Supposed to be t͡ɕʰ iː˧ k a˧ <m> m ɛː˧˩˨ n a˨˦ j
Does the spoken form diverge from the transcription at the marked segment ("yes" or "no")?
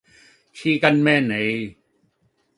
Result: yes